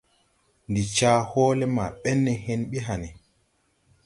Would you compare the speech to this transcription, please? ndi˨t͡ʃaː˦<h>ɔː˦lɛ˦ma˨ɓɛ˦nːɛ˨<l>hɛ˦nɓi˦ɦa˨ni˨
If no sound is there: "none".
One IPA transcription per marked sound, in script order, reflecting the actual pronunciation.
h, none

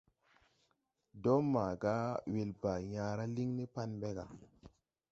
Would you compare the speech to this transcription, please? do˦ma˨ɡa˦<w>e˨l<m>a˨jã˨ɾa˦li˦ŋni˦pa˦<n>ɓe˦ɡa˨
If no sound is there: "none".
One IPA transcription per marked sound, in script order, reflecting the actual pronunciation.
w, b, n

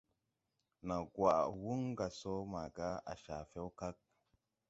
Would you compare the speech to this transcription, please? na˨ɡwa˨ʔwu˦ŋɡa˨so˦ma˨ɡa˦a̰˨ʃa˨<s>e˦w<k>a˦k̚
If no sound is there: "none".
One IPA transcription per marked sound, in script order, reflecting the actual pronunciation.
f, k

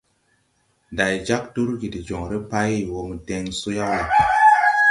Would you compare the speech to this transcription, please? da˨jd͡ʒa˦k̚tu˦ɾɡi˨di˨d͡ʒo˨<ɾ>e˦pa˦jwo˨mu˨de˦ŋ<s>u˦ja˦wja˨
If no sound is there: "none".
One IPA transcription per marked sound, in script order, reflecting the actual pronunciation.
ɾ, s

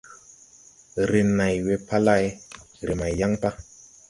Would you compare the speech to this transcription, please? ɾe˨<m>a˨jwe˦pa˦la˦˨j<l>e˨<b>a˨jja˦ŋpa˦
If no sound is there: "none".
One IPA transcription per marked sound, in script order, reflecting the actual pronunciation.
n, ɾ, m

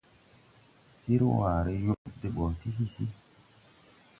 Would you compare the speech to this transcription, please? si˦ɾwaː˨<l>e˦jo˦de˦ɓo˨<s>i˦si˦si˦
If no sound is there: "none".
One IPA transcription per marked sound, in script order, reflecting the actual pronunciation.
ɾ, t

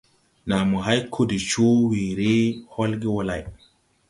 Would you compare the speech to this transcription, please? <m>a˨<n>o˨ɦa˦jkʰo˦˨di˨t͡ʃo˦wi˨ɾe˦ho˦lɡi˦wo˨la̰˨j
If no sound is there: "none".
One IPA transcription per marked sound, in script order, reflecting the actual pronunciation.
n, m

